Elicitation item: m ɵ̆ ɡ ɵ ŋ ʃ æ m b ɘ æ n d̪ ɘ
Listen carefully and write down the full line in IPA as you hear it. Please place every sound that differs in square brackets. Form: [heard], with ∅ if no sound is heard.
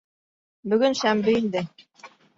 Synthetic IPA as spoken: [b] ɵ̆ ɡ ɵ [n] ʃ æ m b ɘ [i] n d̪ ɘ